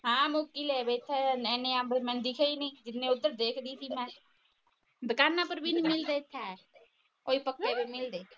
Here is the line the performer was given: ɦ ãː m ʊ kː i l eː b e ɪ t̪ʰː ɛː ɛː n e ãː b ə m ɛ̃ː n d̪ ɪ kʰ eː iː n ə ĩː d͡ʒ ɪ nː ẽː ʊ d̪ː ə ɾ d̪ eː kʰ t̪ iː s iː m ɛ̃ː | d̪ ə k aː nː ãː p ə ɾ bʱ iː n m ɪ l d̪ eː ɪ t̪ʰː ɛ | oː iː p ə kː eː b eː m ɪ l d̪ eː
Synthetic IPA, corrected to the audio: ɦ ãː m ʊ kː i l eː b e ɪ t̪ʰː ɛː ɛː n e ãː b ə m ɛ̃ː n d̪ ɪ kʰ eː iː n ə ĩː d͡ʒ ɪ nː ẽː ʊ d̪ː ə ɾ d̪ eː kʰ d̪ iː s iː m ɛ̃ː | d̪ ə k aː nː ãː p ə ɾ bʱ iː n m ɪ l d̪ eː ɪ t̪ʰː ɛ | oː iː p ə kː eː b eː m ɪ l d̪ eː